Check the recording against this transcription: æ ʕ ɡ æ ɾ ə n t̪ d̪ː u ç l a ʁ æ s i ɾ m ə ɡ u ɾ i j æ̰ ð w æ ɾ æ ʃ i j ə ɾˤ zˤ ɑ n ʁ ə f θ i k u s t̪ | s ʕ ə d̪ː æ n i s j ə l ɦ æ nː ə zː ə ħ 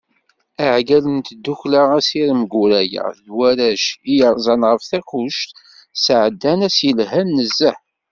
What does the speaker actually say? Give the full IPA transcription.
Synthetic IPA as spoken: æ ʕ ɡ æ l ə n t̪ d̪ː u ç l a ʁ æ s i ɾ m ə ɡ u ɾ æ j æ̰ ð w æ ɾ æ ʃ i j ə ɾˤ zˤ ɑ n ʁ ə f θ æ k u ʃ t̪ | s ʕ ə d̪ː æ n æ s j ə l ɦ æ nː ə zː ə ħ